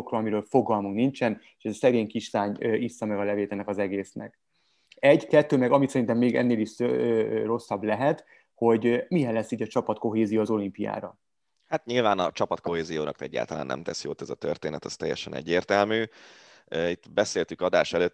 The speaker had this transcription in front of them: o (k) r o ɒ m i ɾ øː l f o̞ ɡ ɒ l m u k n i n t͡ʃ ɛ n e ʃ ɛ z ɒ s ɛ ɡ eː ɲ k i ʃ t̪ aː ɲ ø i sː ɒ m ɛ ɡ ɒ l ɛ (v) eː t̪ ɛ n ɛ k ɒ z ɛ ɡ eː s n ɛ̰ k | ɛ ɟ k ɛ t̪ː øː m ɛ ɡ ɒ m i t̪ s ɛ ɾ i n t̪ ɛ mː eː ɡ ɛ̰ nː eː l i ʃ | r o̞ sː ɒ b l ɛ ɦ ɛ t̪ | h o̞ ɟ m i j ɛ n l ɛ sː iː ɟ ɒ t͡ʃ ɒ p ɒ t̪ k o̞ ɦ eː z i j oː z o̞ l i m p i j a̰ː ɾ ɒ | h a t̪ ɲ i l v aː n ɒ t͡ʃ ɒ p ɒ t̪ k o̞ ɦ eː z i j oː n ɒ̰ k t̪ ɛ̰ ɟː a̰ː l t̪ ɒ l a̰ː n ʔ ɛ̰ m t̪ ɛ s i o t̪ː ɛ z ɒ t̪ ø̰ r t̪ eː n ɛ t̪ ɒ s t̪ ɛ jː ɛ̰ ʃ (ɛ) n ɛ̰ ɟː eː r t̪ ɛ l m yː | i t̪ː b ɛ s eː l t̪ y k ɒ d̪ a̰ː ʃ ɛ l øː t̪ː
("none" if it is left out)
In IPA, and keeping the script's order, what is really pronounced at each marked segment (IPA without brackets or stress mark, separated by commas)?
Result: k, v, ɛ